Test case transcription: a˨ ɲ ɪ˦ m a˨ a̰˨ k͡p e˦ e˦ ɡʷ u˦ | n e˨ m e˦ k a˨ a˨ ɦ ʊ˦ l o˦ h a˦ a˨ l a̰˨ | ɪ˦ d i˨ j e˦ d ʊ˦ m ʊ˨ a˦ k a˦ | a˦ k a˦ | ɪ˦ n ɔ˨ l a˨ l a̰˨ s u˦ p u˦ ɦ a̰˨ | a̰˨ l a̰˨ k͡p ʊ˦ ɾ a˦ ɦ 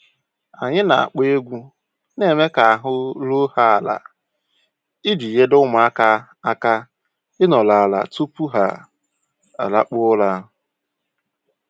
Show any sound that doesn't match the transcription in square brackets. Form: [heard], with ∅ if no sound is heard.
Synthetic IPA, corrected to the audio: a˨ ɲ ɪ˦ [n] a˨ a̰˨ k͡p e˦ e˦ ɡʷ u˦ | n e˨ m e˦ k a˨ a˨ ɦ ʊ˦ l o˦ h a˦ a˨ l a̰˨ | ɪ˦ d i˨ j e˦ d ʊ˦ m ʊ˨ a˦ k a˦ | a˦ k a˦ | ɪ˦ n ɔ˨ l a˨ l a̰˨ [t] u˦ p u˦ ɦ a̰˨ | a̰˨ l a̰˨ k͡p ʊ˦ [l] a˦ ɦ

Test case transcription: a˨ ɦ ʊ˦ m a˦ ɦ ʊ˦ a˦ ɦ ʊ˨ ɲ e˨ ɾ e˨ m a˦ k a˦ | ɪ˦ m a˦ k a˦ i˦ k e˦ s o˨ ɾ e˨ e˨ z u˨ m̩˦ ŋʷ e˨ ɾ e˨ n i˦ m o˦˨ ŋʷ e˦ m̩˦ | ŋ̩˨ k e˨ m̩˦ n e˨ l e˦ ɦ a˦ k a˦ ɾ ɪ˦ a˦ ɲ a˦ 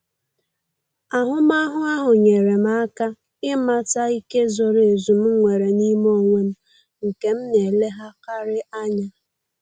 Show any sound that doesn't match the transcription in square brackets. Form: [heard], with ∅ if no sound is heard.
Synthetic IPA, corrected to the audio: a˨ ɦ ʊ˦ m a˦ ɦ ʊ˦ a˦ ɦ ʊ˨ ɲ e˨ ɾ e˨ m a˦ k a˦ | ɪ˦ m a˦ [t] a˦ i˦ k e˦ [z] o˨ ɾ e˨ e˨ z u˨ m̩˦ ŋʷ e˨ ɾ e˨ n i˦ m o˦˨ ŋʷ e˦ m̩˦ | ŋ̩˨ k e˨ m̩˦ n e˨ l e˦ ɦ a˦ k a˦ ɾ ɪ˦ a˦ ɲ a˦

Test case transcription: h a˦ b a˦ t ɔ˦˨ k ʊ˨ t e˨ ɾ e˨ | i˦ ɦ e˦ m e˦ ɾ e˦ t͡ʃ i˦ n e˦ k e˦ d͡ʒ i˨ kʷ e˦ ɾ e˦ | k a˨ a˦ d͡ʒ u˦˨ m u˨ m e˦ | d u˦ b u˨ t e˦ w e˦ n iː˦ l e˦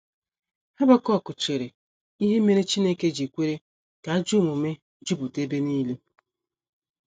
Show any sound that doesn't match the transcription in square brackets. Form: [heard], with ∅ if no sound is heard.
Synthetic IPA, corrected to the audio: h a˦ b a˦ [k] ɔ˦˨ k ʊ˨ [t͡ʃ] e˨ ɾ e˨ | i˦ ɦ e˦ m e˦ ɾ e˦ t͡ʃ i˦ n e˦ k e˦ d͡ʒ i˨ kʷ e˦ ɾ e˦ | k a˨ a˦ d͡ʒ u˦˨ m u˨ m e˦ | [d͡ʒ] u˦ b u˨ t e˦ [b] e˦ n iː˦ l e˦

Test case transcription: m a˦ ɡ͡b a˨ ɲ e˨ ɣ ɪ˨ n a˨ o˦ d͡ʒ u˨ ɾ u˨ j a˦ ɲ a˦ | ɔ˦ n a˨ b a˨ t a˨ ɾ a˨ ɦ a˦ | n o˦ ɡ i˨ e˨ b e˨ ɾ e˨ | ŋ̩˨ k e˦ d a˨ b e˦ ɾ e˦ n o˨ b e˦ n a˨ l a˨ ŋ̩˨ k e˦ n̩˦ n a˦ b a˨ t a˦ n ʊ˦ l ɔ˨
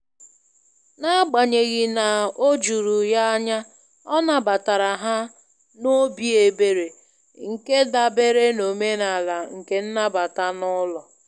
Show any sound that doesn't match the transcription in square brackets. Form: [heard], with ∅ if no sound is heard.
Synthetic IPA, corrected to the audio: [n] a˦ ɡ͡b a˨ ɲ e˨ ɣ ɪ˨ n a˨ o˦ d͡ʒ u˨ ɾ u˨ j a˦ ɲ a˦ | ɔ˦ n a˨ b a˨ t a˨ ɾ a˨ ɦ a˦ | n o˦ [b] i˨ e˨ b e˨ ɾ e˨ | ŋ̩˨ k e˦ d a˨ b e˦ ɾ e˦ n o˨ [m] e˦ n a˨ l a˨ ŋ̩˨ k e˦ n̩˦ n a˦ b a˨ t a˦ n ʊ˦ l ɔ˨

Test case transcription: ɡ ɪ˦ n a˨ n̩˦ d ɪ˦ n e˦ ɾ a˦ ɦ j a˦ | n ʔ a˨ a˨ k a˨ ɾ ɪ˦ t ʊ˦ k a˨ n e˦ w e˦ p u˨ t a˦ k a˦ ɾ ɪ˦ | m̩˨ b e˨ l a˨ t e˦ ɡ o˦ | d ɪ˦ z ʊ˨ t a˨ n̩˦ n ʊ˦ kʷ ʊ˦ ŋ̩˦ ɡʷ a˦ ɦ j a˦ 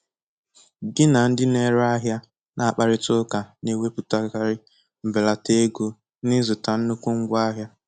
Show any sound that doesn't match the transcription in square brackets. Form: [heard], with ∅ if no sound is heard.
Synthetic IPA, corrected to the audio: ɡ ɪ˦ n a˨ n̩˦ d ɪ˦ n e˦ ɾ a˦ ɦ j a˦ | n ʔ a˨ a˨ [k͡p] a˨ ɾ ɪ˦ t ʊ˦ k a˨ n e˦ w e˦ p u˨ t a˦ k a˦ ɾ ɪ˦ | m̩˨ b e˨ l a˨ t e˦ ɡ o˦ | [n] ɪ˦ z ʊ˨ t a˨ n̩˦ n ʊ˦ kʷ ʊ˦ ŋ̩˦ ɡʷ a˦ ɦ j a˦

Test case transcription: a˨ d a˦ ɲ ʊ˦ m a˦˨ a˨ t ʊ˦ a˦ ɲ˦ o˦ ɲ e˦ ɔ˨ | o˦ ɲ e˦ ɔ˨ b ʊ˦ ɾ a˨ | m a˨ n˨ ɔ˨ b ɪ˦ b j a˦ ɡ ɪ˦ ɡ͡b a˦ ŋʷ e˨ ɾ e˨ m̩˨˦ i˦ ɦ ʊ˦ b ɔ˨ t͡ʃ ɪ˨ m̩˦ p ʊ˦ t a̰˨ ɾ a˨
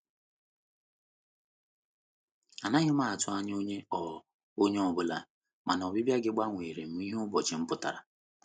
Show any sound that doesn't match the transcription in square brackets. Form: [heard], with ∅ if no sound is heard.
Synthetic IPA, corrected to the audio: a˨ [n] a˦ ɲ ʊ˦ m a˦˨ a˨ t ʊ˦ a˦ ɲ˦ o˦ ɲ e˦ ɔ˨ | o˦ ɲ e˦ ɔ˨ b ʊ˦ [l] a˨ | m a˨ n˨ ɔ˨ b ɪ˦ b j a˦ ɡ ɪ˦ ɡ͡b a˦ ŋʷ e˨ ɾ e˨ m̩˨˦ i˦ ɦ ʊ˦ b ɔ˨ t͡ʃ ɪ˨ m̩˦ p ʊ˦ t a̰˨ ɾ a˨

